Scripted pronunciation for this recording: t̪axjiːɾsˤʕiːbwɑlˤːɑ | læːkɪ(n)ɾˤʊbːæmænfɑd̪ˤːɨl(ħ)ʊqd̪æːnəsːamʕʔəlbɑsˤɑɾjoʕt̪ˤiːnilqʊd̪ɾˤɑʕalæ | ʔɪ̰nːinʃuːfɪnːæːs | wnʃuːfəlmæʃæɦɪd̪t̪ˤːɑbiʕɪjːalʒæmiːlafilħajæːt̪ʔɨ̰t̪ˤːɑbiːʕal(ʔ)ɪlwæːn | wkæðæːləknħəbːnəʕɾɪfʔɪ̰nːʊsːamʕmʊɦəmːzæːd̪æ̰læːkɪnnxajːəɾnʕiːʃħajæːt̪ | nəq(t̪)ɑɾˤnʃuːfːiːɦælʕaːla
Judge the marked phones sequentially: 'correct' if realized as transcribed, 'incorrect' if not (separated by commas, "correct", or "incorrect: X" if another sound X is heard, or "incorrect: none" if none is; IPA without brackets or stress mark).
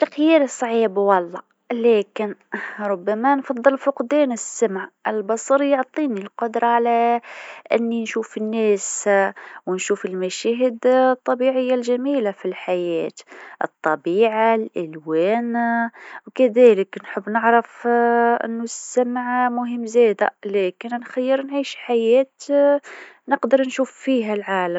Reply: correct, incorrect: f, correct, incorrect: d̪